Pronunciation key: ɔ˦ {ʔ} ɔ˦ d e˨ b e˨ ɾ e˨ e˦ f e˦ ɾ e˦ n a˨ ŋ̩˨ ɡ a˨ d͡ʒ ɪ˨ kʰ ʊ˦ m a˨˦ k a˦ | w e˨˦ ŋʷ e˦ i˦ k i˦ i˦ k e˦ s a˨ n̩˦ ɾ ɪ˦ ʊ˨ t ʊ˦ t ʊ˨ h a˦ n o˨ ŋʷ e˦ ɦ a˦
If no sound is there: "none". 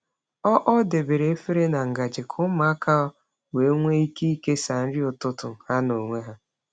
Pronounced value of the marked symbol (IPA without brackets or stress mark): ʔ